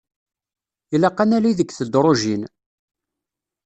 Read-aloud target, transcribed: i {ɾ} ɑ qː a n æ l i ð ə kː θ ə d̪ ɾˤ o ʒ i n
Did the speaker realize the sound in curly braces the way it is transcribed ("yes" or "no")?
no